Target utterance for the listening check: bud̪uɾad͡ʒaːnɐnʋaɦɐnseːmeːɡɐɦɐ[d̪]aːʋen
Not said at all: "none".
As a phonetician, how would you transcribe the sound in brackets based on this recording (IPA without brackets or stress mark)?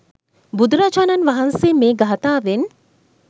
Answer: t̪